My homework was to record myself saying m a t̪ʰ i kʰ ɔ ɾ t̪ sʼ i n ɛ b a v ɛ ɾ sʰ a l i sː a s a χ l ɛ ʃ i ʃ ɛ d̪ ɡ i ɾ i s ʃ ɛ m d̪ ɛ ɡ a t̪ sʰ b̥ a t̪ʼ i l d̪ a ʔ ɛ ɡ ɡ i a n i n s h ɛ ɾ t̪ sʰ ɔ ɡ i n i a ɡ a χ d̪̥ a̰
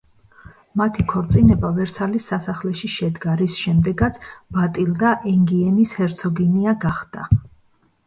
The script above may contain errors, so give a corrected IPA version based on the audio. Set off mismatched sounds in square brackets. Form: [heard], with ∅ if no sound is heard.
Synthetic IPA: m a t̪ʰ i kʰ ɔ ɾ t̪ sʼ i n ɛ b a v ɛ ɾ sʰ a l i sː a s a χ l ɛ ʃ i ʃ ɛ d̪ ɡ [a] ɾ i s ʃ ɛ m d̪ ɛ ɡ a t̪ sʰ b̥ a t̪ʼ i l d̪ a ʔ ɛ [ŋ] ɡ i [ɛ] n i [∅] s h ɛ ɾ t̪ sʰ ɔ ɡ i n i a ɡ a χ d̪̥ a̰